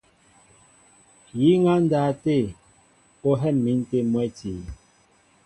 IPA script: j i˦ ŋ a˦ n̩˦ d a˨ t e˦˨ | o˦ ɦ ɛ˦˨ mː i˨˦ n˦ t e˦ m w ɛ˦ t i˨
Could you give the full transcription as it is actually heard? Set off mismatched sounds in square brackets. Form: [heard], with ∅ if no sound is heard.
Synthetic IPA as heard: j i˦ ŋ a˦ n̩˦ d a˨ t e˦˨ | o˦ ɦ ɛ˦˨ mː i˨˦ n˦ t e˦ m w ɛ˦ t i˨